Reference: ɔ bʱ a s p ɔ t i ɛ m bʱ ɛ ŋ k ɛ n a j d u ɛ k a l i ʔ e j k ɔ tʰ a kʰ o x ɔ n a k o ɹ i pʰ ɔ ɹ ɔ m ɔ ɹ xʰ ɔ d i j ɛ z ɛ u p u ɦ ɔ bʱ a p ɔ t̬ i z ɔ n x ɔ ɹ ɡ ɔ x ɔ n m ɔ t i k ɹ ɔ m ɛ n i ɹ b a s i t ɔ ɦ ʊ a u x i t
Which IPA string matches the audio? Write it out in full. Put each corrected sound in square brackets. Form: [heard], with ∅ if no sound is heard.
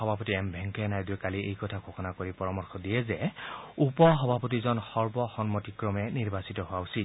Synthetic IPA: ɔ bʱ a [∅] p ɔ t i ɛ m bʱ ɛ ŋ k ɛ n a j d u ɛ k a l i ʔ e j k ɔ tʰ a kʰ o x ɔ n a k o ɹ i [p] ɔ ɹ ɔ m ɔ ɹ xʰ ɔ d i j ɛ z ɛ u p [ɔ] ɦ ɔ bʱ a p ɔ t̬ i z ɔ n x ɔ ɹ [b] ɔ x ɔ n m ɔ t i k ɹ ɔ m ɛ n i ɹ b a s i t ɔ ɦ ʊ a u [s] i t